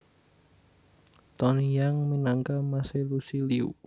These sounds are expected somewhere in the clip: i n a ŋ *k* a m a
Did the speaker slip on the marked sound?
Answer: no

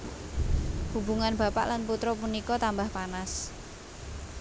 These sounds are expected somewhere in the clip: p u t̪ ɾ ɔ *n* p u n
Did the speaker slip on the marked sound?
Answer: yes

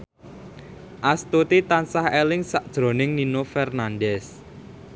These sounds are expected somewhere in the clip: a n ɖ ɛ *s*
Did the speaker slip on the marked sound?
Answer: no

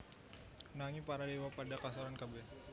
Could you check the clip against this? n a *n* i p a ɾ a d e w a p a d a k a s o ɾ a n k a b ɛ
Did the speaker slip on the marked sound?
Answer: yes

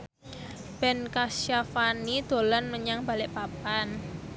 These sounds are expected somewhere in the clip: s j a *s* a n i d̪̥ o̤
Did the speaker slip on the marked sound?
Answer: yes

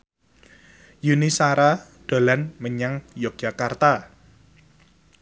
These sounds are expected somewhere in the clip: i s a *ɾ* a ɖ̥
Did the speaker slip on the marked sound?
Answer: no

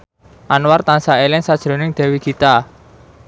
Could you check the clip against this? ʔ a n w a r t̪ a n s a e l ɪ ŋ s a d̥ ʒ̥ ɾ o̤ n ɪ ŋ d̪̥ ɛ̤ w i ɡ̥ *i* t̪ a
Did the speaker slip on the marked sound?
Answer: no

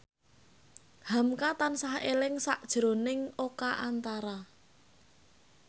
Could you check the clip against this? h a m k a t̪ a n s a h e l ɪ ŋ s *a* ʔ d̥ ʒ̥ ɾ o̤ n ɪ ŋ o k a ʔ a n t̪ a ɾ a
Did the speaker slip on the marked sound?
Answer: no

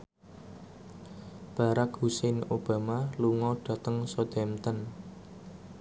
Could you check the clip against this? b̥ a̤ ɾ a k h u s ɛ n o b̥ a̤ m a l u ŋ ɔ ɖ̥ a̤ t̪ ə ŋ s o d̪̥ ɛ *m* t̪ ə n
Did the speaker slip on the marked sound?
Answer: no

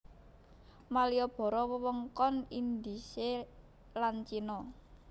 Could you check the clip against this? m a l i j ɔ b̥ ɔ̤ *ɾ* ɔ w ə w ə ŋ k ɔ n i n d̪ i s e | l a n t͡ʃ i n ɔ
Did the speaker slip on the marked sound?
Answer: no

